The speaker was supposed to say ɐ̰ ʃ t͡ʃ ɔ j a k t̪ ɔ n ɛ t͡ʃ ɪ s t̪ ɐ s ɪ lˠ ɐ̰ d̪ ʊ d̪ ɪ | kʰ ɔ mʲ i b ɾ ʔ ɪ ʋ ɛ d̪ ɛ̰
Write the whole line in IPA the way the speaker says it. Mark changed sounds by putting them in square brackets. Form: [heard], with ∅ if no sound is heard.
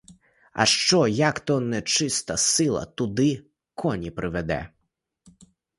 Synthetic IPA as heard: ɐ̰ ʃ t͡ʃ ɔ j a k t̪ ɔ n ɛ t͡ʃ ɪ s t̪ ɐ s ɪ lˠ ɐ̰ [t̪] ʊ d̪ ɪ | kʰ ɔ [nʲ] i [p] ɾ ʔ ɪ ʋ ɛ d̪ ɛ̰